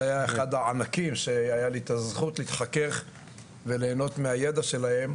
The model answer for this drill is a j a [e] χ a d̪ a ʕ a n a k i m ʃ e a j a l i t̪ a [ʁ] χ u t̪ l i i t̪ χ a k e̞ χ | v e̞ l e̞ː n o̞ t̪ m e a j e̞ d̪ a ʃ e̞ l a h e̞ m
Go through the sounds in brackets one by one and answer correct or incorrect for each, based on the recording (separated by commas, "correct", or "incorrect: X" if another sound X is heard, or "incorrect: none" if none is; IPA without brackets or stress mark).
correct, incorrect: z